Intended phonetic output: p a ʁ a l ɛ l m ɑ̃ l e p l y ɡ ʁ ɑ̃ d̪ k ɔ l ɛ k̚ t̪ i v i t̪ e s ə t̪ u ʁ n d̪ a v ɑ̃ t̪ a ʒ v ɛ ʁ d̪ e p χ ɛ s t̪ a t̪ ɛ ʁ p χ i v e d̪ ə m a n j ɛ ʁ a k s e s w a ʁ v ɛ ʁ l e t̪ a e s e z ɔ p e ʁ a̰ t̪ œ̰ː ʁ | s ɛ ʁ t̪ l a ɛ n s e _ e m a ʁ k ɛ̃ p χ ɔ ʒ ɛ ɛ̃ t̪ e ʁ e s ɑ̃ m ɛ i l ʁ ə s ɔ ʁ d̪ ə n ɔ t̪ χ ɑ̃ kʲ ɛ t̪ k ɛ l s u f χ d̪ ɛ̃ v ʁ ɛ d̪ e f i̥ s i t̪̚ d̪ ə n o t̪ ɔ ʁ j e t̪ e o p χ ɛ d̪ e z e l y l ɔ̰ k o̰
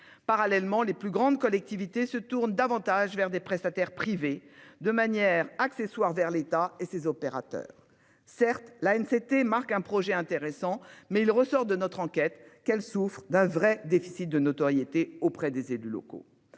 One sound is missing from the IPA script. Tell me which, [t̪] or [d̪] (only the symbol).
t̪